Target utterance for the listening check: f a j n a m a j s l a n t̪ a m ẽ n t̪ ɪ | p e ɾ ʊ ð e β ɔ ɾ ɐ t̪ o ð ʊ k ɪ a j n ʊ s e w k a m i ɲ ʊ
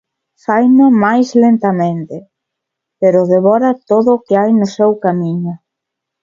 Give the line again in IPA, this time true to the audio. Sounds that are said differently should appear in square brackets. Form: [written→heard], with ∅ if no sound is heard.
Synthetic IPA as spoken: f a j n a m a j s l [a→e] n t̪ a m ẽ n t̪ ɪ | p e ɾ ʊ ð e β ɔ ɾ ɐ t̪ o ð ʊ k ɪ a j n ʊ s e w k a m i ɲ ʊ